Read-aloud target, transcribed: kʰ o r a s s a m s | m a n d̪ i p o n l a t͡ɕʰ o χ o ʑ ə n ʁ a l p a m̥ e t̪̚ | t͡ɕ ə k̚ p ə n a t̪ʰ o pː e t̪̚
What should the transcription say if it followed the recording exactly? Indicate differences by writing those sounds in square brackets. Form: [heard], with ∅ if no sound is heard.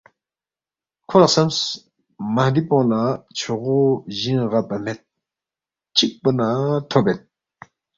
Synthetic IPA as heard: kʰ o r a [χ] s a m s | m a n d̪ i p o [ŋ] l a t͡ɕʰ o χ o ʑ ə n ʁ a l p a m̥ e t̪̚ | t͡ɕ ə k̚ p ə n a t̪ʰ o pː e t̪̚